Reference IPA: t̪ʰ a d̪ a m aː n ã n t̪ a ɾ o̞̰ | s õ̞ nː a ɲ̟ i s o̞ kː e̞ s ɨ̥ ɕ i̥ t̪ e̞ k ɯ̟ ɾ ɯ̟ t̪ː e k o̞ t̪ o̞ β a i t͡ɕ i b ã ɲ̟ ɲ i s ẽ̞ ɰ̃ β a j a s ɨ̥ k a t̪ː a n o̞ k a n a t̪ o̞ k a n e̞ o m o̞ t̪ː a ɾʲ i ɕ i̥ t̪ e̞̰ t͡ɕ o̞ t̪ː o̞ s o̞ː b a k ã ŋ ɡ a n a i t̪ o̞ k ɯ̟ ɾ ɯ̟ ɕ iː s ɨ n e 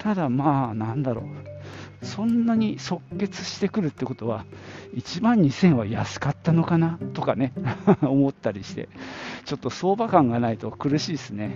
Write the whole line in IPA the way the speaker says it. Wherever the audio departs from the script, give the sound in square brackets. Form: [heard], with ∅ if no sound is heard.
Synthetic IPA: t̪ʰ a d̪ a m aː n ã n [d̪] a ɾ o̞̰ | s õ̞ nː a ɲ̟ i s o̞ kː e̞ [t͡s] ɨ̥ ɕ i̥ t̪ e̞ k ɯ̟ ɾ ɯ̟ t̪ː e k o̞ t̪ o̞ β a i t͡ɕ i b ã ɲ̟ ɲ i s ẽ̞ ɰ̃ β a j a s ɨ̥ k a t̪ː a n o̞ k a n a t̪ o̞ k a n e̞ o m o̞ t̪ː a ɾʲ i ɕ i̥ t̪ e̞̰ t͡ɕ o̞ t̪ː o̞ s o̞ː b a k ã ŋ ɡ a n a i t̪ o̞ k ɯ̟ ɾ ɯ̟ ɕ iː s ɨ n e